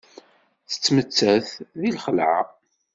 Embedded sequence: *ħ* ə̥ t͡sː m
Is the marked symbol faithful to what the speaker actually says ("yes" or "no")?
no